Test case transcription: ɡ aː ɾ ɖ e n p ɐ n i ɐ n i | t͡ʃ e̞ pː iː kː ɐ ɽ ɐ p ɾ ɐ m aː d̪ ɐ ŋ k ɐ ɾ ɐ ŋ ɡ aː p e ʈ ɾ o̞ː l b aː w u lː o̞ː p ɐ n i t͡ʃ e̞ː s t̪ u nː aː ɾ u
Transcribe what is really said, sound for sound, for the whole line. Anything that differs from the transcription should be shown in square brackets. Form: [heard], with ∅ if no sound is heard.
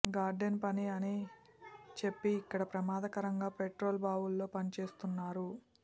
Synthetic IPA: ɡ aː ɾ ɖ e n p ɐ n i ɐ n i | t͡ʃ e̞ pː iː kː ɐ ɽ ɐ p ɾ ɐ m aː d̪ ɐ [∅] k ɐ ɾ ɐ ŋ ɡ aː p e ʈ ɾ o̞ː l b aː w u lː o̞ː p ɐ n i t͡ʃ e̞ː s t̪ u nː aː ɾ u

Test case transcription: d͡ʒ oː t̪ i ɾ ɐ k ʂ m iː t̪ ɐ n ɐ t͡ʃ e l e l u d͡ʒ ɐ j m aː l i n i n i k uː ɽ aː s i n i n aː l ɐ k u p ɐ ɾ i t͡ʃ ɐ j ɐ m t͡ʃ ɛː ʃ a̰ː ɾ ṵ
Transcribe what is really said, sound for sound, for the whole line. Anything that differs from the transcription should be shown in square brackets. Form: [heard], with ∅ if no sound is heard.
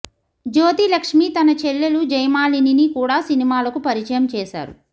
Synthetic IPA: d͡ʒ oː t̪ i [l] ɐ k ʂ m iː t̪ ɐ n ɐ t͡ʃ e [lː] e l u d͡ʒ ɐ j m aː l i n i n i k uː ɽ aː s i n i [m] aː l ɐ k u p ɐ ɾ i t͡ʃ ɐ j ɐ m t͡ʃ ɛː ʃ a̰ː ɾ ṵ

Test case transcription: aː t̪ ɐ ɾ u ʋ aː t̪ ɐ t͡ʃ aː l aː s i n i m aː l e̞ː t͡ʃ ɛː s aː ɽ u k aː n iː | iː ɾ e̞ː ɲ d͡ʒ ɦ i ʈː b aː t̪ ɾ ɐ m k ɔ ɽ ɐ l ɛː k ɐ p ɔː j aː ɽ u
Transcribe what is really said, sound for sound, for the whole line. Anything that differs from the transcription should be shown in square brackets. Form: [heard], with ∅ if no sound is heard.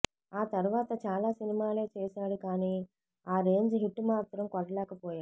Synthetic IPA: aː t̪ ɐ ɾ u ʋ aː t̪ ɐ t͡ʃ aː l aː s i n i m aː l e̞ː t͡ʃ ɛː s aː ɽ u k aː n iː | [aː] ɾ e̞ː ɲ d͡ʒ ɦ i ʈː [m] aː t̪ ɾ ɐ m k ɔ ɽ ɐ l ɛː k ɐ p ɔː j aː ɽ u

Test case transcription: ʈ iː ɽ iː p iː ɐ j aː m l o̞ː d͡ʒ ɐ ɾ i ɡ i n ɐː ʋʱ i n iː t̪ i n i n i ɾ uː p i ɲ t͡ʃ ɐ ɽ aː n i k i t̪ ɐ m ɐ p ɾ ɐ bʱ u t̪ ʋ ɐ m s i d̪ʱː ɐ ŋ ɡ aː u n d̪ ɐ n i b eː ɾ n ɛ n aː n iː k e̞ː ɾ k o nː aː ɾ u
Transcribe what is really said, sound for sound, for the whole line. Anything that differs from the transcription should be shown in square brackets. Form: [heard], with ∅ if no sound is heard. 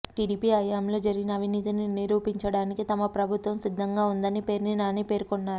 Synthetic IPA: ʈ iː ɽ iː p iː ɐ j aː m l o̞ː d͡ʒ ɐ ɾ i ɡ i n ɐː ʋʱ i n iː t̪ i n i n i ɾ uː p i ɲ t͡ʃ ɐ ɽ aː n i k i t̪ ɐ m ɐ p ɾ ɐ bʱ u t̪ ʋ ɐ m s i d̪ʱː ɐ ŋ ɡ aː u n d̪ ɐ n i [p] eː ɾ n [i] n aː n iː [p] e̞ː ɾ k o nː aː ɾ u

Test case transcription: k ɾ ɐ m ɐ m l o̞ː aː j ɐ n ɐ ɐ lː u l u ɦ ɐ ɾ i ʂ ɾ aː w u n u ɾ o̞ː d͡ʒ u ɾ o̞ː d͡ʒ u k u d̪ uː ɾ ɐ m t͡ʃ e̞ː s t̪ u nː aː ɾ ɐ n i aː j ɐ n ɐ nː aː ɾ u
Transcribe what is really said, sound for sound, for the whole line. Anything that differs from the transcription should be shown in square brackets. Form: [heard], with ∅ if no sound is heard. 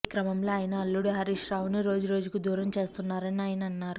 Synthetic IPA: k ɾ ɐ m ɐ m l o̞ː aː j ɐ n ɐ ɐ lː u [ɽ] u ɦ ɐ ɾ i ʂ ɾ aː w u n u ɾ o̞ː d͡ʒ u ɾ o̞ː d͡ʒ u k u d̪ uː ɾ ɐ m t͡ʃ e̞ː s t̪ u nː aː ɾ ɐ n i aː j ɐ n ɐ nː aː ɾ u

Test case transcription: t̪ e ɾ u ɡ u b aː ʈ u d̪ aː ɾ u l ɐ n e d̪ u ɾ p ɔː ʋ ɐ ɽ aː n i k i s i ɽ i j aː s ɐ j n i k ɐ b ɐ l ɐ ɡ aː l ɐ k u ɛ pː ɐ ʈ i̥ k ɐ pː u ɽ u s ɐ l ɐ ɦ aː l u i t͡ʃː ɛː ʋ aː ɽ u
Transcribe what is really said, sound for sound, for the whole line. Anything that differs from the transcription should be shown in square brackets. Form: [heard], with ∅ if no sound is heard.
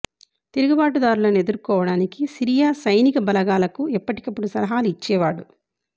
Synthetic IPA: t̪ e ɾ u ɡ u b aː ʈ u d̪ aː ɾ u l ɐ n e d̪ u ɾ [k] ɔː ʋ ɐ ɽ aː n i k i s i [ɾ] i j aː s ɐ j n i k ɐ b ɐ l ɐ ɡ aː l ɐ k u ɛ pː ɐ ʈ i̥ k ɐ pː u ɽ u s ɐ l ɐ ɦ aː l u i t͡ʃː ɛː ʋ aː ɽ u

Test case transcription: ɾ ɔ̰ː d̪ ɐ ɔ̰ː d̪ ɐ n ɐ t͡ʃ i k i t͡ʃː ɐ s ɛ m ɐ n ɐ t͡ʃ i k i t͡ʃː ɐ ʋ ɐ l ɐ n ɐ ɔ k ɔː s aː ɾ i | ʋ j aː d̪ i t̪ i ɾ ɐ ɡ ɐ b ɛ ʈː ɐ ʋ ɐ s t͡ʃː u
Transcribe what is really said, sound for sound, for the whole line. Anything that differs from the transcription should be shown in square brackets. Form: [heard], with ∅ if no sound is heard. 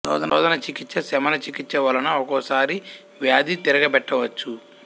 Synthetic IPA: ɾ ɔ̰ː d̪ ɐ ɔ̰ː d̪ ɐ n ɐ t͡ʃ i k i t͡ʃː ɐ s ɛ m ɐ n ɐ t͡ʃ i k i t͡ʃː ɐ ʋ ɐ l ɐ n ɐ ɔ k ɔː s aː ɾ i | ʋ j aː d̪ i t̪ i ɾ ɐ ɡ ɐ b ɛ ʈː ɐ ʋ ɐ [∅] t͡ʃː u

